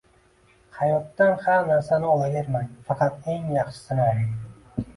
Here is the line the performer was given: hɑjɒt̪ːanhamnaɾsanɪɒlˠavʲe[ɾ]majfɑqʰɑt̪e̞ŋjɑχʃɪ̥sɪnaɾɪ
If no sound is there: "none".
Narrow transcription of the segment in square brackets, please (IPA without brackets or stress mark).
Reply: ɾ